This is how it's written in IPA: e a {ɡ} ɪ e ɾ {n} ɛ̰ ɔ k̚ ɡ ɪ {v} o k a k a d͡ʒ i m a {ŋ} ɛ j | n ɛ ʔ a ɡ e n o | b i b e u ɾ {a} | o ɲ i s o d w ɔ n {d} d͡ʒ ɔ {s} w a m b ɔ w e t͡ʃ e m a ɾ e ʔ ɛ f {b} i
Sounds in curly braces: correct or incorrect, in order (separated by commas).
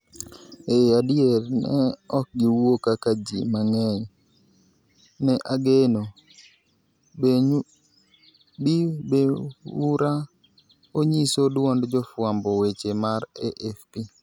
incorrect, correct, incorrect, correct, correct, correct, incorrect, incorrect